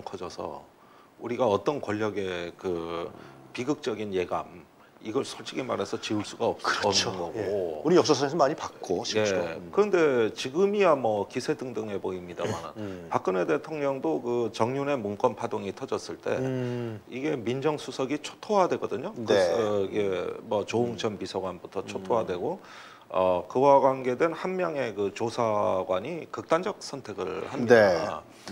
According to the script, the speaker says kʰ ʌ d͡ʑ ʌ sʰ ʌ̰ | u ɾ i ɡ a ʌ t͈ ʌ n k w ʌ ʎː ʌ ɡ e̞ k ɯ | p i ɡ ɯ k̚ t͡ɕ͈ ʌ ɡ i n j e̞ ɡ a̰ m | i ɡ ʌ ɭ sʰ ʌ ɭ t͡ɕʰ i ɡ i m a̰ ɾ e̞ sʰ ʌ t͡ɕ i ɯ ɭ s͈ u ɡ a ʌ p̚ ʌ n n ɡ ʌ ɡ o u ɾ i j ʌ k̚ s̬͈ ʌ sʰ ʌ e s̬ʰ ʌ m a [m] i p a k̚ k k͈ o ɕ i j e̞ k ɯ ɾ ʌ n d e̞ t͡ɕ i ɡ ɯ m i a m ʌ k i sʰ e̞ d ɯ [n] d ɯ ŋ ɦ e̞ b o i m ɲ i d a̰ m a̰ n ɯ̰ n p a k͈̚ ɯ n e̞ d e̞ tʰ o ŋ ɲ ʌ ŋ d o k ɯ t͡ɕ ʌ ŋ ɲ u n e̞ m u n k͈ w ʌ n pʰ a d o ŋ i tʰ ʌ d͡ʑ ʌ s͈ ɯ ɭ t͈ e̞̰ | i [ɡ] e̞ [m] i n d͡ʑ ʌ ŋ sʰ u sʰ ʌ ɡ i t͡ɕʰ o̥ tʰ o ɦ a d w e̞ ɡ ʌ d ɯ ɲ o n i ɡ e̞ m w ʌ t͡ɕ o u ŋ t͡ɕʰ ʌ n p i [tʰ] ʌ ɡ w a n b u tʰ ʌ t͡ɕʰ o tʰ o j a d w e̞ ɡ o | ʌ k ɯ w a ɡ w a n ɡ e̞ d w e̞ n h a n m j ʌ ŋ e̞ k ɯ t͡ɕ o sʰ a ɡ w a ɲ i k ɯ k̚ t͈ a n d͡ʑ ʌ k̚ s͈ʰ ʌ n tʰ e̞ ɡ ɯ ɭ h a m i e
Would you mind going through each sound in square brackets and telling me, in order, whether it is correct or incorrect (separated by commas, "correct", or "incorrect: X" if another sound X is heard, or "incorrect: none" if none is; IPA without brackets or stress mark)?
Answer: incorrect: ɲ, incorrect: ŋ, correct, correct, incorrect: sʰ